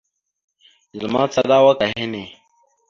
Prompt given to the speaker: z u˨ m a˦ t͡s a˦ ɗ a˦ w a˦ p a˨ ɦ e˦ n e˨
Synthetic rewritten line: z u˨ m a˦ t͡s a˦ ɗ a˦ w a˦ k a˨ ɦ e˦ n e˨